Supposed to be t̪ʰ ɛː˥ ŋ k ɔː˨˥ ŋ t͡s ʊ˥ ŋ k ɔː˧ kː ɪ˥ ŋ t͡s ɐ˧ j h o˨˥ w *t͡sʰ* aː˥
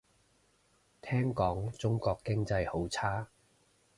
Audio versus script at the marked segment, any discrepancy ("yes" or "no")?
no